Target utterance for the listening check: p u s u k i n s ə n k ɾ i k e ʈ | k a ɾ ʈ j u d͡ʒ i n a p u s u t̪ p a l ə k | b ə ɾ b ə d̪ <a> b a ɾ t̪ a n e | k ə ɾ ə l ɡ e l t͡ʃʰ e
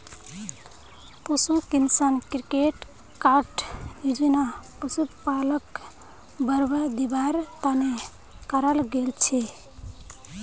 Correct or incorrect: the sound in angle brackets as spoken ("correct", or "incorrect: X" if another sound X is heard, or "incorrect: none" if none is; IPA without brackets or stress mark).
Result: incorrect: i